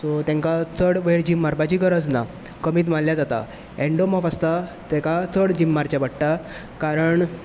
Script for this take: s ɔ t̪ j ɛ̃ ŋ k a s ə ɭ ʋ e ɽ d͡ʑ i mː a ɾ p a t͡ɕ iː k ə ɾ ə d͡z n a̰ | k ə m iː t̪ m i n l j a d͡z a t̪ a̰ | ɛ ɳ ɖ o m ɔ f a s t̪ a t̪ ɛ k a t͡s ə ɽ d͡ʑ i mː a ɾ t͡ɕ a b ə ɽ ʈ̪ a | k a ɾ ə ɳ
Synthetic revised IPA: s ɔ t̪ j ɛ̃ ŋ k a t͡s ə ɽ ʋ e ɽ d͡ʑ i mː a ɾ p a t͡ɕ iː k ə ɾ ə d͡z n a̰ | k ə m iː t̪ m a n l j a d͡z a t̪ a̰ | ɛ ɳ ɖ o m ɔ f a s t̪ a t̪ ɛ k a t͡s ə ɽ d͡ʑ i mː a ɾ t͡ɕ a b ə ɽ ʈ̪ a | k a ɾ ə ɳ